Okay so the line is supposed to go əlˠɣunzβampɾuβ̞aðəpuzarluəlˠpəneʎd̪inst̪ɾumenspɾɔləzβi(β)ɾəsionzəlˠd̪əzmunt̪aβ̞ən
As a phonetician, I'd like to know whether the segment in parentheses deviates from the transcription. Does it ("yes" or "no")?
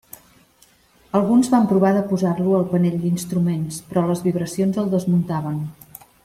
no